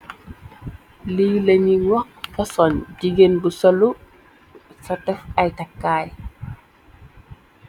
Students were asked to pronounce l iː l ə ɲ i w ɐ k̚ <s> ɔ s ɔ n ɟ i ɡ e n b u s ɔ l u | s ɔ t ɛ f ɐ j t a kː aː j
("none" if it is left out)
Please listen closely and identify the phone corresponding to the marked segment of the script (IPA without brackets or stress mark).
f